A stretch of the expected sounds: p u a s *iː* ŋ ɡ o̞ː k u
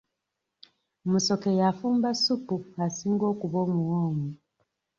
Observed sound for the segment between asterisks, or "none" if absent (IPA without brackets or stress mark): iː